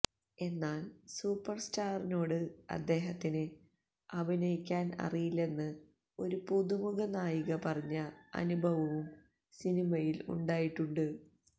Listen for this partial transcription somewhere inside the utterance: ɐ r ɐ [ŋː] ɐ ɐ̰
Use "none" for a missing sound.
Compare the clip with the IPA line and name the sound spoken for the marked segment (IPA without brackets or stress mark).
ɲː